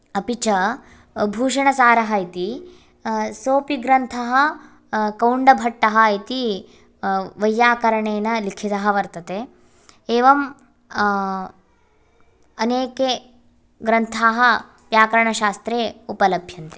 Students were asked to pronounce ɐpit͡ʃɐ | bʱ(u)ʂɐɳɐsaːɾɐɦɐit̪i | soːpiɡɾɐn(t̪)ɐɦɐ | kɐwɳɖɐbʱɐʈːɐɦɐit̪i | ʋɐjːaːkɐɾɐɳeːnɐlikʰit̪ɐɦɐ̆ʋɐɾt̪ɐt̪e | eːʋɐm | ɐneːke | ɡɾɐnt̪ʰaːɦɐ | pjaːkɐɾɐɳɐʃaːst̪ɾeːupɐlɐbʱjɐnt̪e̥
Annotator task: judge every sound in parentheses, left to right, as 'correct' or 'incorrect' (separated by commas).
incorrect, incorrect